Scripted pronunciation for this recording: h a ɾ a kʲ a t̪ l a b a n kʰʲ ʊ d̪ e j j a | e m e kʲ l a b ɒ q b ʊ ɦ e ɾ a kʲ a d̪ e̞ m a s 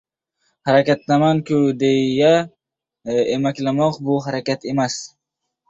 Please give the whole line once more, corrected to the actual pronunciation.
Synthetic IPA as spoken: h a ɾ a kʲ a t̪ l a m a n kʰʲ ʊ d̪ e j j a | e m a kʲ l a m ɒ q b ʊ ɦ a ɾ a kʲ a t̪ e̞ m a s